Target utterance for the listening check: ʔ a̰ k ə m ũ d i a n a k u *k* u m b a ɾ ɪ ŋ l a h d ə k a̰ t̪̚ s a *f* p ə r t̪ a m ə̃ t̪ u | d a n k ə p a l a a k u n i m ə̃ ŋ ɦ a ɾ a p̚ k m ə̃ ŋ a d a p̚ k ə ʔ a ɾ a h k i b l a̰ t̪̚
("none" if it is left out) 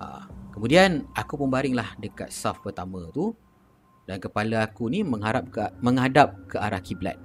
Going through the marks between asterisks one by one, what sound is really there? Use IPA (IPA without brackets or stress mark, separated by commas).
p, f